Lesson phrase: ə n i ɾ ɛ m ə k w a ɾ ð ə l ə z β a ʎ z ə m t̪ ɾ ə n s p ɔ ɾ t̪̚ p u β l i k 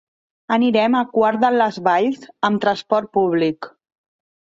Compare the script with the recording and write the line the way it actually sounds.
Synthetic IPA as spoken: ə n i ɾ ɛ m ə k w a ɾ ð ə l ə z β a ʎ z ə m t̪ ɾ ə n s p ɔ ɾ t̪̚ p u β l i k